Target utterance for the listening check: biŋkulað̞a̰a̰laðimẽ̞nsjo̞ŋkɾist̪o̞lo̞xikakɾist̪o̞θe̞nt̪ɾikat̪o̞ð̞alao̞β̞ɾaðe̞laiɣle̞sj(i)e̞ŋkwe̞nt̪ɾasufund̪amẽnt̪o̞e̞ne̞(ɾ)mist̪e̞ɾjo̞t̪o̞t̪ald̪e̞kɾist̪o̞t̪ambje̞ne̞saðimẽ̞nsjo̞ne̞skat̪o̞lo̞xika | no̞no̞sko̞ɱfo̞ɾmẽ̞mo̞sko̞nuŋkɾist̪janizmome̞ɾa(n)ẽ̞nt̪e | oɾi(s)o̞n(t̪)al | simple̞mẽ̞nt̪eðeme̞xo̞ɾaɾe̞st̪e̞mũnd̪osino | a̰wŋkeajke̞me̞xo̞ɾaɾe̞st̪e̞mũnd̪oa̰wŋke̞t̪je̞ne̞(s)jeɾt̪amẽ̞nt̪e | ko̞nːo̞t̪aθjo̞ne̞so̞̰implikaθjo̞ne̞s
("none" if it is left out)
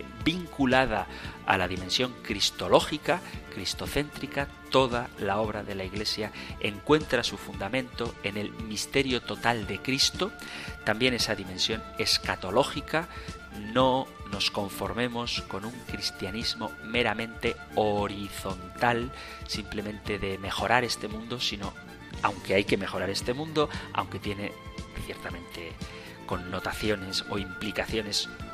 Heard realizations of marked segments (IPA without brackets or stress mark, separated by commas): a, l, m, θ, t̪, θ